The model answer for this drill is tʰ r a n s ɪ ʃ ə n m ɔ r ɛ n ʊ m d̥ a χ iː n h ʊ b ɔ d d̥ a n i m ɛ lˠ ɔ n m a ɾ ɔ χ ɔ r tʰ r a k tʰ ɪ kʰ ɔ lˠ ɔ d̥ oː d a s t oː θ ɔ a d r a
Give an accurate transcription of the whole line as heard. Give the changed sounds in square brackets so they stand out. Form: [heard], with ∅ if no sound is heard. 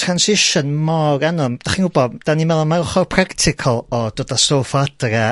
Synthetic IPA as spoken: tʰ r a n s ɪ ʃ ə n m ɔ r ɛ n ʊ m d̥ a χ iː n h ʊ b ɔ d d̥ a n i m ɛ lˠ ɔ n m a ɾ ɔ χ ɔ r [pʰ] r a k tʰ ɪ kʰ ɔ lˠ ɔ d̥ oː d a s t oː [f] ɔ a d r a